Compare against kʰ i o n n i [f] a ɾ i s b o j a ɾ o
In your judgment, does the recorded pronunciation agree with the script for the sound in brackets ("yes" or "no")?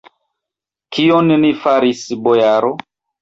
yes